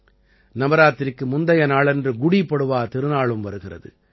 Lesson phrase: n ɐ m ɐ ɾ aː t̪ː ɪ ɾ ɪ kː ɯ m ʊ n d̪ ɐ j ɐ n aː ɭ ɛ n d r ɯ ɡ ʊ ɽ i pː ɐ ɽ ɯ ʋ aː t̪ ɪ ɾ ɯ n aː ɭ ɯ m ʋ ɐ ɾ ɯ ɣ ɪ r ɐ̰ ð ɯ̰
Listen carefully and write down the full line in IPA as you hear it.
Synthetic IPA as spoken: n ɐ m ɐ ɾ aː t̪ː ɪ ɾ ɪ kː ɯ m ʊ n d̪ ɐ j ɐ n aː ɭ ɛ n d r ɯ ɡ ʊ ɽ i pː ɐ ɽ ɯ ʋ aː t̪ ɪ ɾ ɯ n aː ɭ ɯ m ʋ ɐ ɾ ɯ ɣ ɪ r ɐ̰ ð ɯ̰